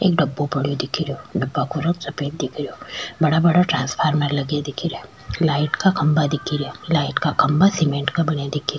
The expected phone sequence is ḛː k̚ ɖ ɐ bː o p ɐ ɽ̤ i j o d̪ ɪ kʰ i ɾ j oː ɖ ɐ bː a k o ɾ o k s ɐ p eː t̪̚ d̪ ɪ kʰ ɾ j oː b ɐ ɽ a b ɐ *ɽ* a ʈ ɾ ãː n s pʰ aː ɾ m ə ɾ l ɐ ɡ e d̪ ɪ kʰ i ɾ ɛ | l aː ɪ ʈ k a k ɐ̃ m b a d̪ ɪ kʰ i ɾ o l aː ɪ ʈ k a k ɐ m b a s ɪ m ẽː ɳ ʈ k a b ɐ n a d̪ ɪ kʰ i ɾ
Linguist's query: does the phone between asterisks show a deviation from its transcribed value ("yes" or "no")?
no